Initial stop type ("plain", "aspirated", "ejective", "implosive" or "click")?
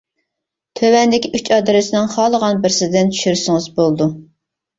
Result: aspirated